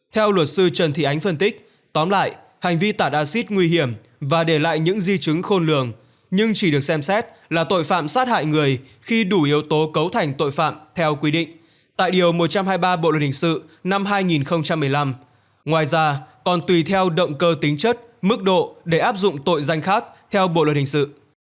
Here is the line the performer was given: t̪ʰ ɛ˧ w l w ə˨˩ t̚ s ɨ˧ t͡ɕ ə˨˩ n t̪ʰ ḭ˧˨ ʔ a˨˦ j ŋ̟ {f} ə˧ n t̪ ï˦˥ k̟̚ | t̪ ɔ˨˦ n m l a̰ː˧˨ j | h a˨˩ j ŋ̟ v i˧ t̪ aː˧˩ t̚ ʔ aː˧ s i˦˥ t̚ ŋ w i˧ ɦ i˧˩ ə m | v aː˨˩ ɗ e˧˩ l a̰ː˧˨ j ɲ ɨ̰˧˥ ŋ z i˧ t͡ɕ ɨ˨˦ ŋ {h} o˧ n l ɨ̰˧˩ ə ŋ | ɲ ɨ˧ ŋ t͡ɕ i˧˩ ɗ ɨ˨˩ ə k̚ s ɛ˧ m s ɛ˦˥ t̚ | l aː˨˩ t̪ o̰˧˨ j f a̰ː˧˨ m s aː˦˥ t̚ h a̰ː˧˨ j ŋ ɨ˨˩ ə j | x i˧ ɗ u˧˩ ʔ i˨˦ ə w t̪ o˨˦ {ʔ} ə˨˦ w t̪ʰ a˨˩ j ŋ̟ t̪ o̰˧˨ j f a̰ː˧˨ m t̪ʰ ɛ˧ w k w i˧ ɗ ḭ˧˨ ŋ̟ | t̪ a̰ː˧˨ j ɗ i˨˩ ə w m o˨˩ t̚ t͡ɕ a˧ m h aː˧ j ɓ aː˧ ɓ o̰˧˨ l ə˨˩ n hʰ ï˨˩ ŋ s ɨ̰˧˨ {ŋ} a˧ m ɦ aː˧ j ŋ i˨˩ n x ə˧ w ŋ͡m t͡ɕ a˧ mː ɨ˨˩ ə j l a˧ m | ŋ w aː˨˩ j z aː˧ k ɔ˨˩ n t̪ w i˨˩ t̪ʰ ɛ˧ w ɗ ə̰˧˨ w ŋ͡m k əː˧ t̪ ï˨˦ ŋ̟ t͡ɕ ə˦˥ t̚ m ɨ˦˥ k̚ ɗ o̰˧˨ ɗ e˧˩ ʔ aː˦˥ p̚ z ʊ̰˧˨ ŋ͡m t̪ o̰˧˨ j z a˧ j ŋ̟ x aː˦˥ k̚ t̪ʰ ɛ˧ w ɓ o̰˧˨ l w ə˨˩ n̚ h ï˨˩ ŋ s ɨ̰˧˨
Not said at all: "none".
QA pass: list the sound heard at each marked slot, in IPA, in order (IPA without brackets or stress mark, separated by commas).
f, x, k, n